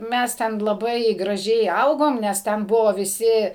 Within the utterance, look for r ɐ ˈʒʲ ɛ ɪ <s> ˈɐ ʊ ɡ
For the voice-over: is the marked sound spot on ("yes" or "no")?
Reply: no